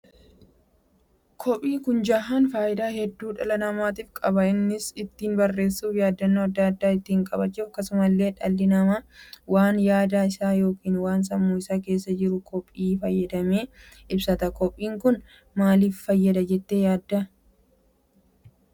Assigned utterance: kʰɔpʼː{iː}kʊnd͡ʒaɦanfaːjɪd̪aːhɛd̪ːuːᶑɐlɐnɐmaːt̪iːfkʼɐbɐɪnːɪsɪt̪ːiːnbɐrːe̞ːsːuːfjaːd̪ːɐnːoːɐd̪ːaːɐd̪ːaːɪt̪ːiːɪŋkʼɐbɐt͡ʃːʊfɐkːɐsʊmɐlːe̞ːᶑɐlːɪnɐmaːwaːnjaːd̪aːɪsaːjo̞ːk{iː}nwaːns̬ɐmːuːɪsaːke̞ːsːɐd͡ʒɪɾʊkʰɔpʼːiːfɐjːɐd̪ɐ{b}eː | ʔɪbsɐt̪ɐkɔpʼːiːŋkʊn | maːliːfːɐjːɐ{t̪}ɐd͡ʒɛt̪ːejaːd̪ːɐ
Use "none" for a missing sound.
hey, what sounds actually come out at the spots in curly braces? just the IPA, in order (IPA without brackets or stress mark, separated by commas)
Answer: iː, iː, m, d̪